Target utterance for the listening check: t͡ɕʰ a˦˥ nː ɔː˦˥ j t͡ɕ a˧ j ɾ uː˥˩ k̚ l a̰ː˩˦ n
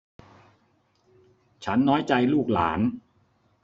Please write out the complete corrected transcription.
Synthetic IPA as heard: t͡ɕʰ a˦˥ nː ɔː˦˥ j t͡ɕ a˧ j l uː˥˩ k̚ l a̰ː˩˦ n